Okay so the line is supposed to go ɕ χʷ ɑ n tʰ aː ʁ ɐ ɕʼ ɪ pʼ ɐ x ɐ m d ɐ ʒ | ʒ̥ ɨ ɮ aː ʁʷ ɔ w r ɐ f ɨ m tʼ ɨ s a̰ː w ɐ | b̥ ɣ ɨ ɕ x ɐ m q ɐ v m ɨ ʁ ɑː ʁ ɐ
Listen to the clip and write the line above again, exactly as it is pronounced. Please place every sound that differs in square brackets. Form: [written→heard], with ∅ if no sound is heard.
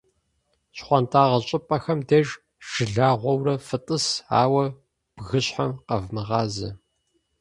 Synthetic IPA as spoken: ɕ χʷ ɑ n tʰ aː ʁ ɐ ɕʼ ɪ pʼ ɐ x ɐ m d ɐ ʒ | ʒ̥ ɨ ɮ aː ʁʷ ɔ w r ɐ f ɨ [m→∅] tʼ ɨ s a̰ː w ɐ | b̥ ɣ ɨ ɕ [x→ħ] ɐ m q ɐ v m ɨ ʁ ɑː [ʁ→z] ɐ